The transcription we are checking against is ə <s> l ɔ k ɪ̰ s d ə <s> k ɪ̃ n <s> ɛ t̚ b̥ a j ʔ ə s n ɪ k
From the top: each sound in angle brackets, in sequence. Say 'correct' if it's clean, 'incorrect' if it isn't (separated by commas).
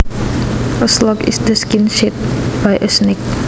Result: correct, correct, incorrect